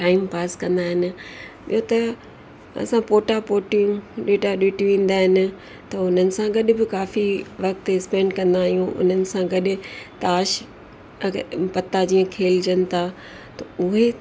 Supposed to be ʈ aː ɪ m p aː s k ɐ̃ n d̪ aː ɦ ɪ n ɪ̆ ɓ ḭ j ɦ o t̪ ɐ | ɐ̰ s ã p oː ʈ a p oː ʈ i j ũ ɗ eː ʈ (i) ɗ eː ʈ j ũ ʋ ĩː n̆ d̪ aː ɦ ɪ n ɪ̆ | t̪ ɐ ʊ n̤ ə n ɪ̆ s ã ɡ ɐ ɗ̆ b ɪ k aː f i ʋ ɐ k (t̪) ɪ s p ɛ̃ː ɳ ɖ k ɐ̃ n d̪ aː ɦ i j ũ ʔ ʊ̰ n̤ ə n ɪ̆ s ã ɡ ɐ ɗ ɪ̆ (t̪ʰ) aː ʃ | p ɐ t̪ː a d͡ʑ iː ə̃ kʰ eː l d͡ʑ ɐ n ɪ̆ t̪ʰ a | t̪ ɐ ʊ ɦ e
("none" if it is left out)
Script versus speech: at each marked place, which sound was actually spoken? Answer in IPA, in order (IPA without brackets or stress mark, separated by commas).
a, t̪, t̪